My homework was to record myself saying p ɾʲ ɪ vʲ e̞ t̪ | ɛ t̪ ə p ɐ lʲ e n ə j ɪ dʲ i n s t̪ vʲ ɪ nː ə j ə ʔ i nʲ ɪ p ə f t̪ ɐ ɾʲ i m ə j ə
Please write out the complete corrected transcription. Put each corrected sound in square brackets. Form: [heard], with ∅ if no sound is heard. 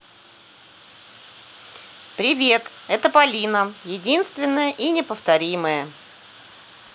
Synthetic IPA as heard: p ɾʲ ɪ vʲ e̞ t̪ | ɛ t̪ ə p ɐ lʲ [i] n ə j ɪ dʲ i n s t̪ vʲ ɪ nː ə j ə ʔ i nʲ ɪ p ə f t̪ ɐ ɾʲ i m ə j ə

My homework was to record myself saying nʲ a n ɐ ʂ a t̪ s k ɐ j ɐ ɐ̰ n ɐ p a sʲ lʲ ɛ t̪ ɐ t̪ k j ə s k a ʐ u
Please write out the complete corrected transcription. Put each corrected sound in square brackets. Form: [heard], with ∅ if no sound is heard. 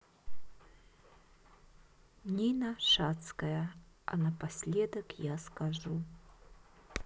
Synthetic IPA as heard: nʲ [i] n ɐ ʂ a t̪ s k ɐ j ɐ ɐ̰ n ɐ p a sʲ lʲ ɛ [d̪] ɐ [∅] k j [a] s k a ʐ u

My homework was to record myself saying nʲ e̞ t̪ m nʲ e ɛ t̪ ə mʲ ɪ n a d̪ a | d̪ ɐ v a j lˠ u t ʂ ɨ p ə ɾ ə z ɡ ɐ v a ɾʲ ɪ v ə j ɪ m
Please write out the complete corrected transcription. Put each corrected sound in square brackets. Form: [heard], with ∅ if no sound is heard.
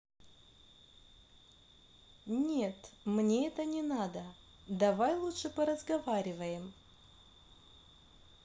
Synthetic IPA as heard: nʲ e̞ t̪ m nʲ e ɛ t̪ ə [nʲ] ɪ n a d̪ [ə] | d̪ ɐ v a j lˠ u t ʂ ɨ p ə ɾ ə z ɡ ɐ v a ɾʲ ɪ v ə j ɪ m

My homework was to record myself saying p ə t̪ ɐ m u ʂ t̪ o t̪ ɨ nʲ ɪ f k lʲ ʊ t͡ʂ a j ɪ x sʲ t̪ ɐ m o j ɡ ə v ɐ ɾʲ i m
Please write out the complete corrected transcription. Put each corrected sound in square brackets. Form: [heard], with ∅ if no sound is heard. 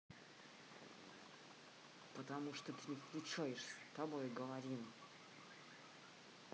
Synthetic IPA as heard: p ə t̪ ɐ m u ʂ t̪ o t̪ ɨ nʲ ɪ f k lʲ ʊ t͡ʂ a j ɪ [ʂ] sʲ t̪ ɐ [b] o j ɡ ə v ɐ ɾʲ i m

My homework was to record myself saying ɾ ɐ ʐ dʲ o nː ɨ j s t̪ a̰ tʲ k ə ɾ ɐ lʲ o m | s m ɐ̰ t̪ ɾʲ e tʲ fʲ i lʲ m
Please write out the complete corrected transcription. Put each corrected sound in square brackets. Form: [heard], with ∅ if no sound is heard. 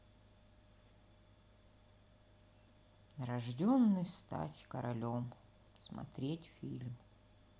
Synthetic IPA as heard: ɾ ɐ ʐ dʲ o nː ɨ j s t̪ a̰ tʲ k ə ɾ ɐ lʲ o m | s m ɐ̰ t̪ ɾʲ e tʲ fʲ i lʲ m

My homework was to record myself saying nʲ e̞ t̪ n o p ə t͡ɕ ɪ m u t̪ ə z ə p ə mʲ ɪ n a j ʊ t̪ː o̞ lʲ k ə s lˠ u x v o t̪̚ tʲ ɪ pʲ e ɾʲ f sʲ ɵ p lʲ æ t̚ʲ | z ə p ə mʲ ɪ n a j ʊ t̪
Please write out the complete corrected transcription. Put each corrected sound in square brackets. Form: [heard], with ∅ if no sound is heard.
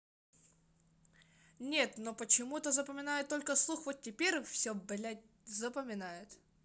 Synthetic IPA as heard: nʲ e̞ t̪ n o p ə t͡ɕ ɪ m u t̪ ə z ə p ə mʲ ɪ n a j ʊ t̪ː o̞ lʲ k ə s lˠ u x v o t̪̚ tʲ ɪ pʲ e ɾʲ f sʲ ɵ [b] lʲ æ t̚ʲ | z ə p ə mʲ ɪ n a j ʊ t̪

